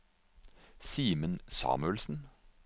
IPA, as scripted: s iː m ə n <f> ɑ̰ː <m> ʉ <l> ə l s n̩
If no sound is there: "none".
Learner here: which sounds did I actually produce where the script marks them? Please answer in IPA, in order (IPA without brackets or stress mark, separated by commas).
s, m, none